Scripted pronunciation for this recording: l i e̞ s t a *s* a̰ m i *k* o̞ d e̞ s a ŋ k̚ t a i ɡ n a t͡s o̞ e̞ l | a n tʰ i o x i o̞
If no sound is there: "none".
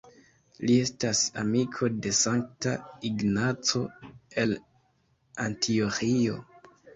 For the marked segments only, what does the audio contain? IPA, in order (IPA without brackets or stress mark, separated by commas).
s, kʰ